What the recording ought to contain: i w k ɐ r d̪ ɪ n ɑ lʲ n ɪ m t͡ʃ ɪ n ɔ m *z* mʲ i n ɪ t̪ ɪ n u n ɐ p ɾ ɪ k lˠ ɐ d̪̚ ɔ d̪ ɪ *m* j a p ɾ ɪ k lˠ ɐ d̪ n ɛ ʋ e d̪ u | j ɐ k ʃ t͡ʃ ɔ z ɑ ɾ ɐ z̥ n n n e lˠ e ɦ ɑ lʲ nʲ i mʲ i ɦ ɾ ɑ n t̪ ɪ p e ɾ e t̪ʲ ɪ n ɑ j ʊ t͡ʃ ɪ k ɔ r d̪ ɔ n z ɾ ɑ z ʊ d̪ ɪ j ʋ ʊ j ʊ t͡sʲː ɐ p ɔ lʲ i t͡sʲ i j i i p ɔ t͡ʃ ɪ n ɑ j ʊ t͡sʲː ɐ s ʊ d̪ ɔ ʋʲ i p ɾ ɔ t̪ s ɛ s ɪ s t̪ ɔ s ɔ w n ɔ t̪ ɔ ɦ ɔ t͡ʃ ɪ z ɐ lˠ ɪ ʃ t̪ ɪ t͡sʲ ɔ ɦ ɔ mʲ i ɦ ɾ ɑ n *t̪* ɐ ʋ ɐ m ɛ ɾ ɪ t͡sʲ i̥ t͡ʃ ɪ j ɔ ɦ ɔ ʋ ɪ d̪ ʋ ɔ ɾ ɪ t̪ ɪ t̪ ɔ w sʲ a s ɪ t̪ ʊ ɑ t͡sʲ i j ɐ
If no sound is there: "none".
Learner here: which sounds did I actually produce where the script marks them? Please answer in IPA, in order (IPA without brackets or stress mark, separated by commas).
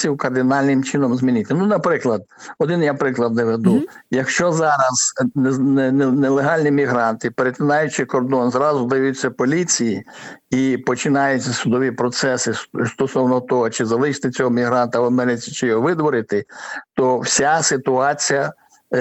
z, n, t̪